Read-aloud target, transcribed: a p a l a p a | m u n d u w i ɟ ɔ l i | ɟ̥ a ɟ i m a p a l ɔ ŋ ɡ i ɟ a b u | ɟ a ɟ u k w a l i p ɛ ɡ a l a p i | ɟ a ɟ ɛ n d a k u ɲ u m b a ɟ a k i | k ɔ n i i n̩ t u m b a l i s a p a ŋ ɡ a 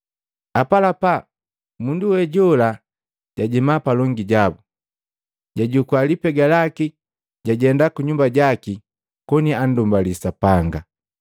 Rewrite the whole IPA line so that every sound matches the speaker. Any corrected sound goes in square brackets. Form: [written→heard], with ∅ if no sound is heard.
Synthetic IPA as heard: a p a l a p a | m u n d u w [i→ɛ] ɟ ɔ l [i→a] | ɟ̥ a ɟ i m a p a l ɔ ŋ ɡ i ɟ a b u | ɟ a ɟ u k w a l i p ɛ ɡ a l a [p→k] i | ɟ a ɟ ɛ n d a k u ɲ u m b a ɟ a k i | k ɔ n i [i→a] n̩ [t→d] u m b a l i s a p a ŋ ɡ a

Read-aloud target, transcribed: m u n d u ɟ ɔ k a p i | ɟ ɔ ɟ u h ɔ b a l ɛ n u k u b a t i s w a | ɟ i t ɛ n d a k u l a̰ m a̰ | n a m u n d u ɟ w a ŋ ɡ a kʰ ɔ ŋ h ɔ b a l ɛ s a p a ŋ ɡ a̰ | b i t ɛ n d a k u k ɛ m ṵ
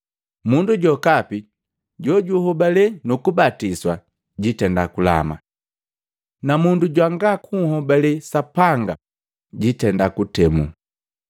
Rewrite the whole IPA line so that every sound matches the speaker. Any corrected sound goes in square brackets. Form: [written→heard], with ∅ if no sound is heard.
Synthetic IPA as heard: m u n d u ɟ ɔ k a p i | ɟ ɔ ɟ u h ɔ b a l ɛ n u k u b a t i s w a | ɟ i t ɛ n d a k u l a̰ m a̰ | n a m u n d u ɟ w a ŋ ɡ a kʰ [ɔ→u] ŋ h ɔ b a l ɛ s a p a ŋ ɡ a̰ | [b→ɟ] i t ɛ n d a k u [k→t] ɛ m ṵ

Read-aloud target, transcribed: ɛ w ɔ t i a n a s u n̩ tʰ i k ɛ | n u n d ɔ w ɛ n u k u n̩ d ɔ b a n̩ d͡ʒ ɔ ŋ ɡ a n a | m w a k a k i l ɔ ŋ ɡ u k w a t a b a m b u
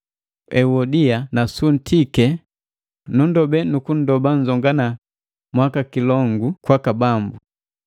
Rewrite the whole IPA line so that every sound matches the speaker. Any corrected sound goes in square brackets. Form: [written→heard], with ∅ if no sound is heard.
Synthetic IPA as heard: ɛ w ɔ [t→d] i a n a s u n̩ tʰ i k ɛ | n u n d ɔ [w→b] ɛ n u k u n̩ d ɔ b a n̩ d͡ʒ ɔ ŋ ɡ a n a | m w a k a k i l ɔ ŋ ɡ u k w a [t→k] a b a m b u

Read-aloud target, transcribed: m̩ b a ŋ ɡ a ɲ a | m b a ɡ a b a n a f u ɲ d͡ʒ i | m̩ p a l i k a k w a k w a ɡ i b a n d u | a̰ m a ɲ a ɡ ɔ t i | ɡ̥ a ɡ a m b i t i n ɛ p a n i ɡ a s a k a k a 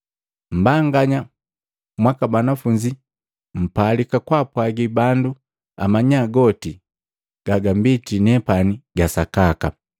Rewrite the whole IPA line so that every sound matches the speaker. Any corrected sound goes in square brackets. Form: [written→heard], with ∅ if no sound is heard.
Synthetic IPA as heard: m̩ b a ŋ ɡ a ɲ a | m [b→w] a [ɡ→k] a b a n a f u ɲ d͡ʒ i | m̩ p a l i k a k w a [k→p] w a ɡ i b a n d u | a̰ m a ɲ a ɡ ɔ t i | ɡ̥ a ɡ a m b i t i n ɛ p a n i ɡ a s a k a k a

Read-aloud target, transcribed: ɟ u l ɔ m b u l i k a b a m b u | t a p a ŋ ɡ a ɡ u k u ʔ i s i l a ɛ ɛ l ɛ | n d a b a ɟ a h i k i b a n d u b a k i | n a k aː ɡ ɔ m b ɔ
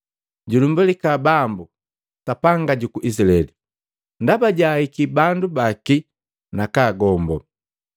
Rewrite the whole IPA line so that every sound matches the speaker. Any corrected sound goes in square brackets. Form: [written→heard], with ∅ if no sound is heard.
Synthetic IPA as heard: ɟ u l [ɔ→u] m b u l i k a b a m b u | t a p a ŋ ɡ a [ɡ→ɟ] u k u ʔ i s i l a ɛ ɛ l [ɛ→i] | n d a b a ɟ a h i k i b a n d u b a k i | n a k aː ɡ ɔ m b ɔ

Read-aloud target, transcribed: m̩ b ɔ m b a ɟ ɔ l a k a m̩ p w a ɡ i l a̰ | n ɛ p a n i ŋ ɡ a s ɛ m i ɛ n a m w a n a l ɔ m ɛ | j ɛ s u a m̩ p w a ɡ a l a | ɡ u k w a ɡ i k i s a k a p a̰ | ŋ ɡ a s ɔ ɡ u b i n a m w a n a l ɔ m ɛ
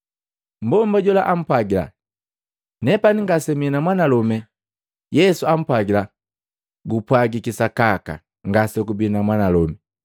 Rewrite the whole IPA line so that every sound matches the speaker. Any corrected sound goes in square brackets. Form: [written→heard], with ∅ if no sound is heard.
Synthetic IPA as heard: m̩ b ɔ m b a ɟ ɔ l a [k→ʔ] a m̩ p w a ɡ i l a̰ | n ɛ p a n i ŋ ɡ a s ɛ m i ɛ n a m w a n a l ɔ m ɛ | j ɛ s u a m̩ p w a ɡ [a→i] l a | ɡ u [k→p] w a ɡ i k i s a k a [p→k] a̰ | ŋ ɡ a s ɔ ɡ u b i n a m w a n a l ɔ m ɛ

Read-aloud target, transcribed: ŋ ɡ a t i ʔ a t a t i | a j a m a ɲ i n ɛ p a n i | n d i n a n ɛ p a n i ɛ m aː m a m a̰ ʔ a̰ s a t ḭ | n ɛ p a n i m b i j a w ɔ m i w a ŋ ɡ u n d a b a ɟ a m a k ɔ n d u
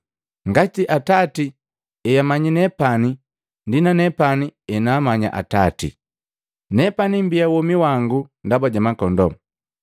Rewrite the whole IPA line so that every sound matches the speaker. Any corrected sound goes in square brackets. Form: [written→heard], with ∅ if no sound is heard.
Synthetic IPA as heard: ŋ ɡ a t i ʔ a t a t i | [a→ɛ] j a m a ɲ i n ɛ p a n i | n d i n a n ɛ p a n i ɛ [m→n] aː m a [m→ɲ] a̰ ʔ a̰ [s→t] a t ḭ | n ɛ p a n i m b i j a w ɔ m i w a ŋ ɡ u n d a b a ɟ a m a k ɔ n d [u→ɔ]

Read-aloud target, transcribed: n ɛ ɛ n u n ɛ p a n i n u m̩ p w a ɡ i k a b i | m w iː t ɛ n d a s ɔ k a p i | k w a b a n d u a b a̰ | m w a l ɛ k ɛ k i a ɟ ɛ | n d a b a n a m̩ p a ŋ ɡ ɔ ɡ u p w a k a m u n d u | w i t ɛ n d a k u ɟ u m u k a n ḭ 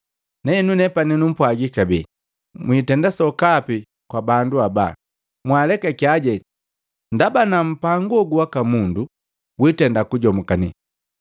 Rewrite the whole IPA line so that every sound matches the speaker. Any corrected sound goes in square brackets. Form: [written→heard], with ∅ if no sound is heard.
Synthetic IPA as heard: n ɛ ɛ n u n ɛ p a n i n u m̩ p w a ɡ i k a b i | m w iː t ɛ n d a s ɔ k a p i | k w a b a n d u a b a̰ | m w a l ɛ k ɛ k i a ɟ ɛ | n d a b a n a m̩ p a ŋ ɡ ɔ ɡ u [p→∅] w a k a m u n d u | w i t ɛ n d a k u ɟ [u→ɔ] m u k a n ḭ

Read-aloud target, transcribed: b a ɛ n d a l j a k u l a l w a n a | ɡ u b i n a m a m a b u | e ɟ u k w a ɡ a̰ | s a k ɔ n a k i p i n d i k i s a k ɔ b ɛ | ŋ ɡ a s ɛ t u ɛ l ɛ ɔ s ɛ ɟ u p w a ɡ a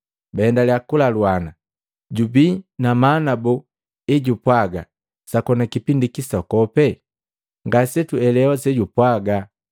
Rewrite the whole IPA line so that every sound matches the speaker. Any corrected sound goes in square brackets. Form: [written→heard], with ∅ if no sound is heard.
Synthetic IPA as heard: b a ɛ n d a l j a k u l a l w a n a | [ɡ→ɟ] u b i n a m a [m→n] a b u | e ɟ u [k→p] w a ɡ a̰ | s a k ɔ n a k i p i n d i k i s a k ɔ [b→p] ɛ | ŋ ɡ a s ɛ t u ɛ l ɛ ɔ s ɛ ɟ u p w a ɡ a

